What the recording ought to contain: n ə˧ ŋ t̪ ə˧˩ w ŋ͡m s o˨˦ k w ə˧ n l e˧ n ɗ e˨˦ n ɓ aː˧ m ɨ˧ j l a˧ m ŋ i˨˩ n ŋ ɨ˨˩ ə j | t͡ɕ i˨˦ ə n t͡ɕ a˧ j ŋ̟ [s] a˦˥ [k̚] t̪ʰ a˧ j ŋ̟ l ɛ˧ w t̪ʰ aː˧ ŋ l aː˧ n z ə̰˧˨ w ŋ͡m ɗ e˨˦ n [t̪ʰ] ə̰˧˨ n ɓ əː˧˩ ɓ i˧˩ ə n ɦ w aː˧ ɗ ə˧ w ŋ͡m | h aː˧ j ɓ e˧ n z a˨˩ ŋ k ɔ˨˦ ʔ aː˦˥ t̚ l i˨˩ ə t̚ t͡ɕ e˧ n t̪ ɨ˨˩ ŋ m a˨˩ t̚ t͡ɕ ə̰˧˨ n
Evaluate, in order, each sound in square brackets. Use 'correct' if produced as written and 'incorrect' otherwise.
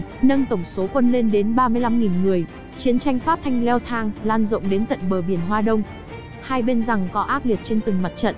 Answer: incorrect: f, incorrect: p̚, incorrect: t̪

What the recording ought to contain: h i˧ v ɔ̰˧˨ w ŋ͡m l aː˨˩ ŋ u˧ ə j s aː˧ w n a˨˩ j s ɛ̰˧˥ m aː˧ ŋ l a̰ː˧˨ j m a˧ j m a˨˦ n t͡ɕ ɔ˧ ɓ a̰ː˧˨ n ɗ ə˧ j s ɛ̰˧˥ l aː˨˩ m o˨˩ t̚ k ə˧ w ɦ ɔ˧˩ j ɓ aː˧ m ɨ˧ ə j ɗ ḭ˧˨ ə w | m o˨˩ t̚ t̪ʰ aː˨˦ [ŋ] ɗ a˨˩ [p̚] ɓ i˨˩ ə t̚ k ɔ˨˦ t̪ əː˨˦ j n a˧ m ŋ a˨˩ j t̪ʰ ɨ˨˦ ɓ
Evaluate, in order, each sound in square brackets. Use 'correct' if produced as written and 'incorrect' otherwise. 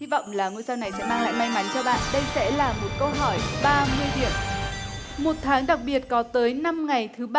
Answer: correct, incorrect: k̚

